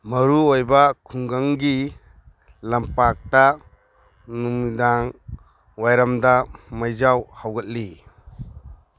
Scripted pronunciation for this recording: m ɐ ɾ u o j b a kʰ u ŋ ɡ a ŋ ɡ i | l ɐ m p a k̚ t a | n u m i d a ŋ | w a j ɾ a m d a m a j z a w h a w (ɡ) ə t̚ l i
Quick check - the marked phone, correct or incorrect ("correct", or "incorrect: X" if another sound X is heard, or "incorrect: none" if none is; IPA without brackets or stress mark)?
correct